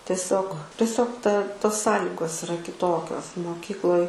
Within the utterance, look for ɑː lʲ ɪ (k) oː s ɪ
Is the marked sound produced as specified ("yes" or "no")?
no